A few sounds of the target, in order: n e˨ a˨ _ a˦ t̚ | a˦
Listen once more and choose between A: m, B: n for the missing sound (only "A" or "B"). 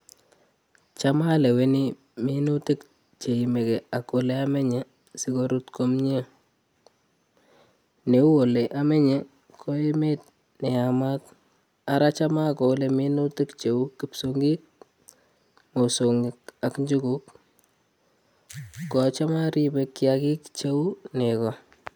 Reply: A